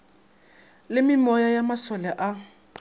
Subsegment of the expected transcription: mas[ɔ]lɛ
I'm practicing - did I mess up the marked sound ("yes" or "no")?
no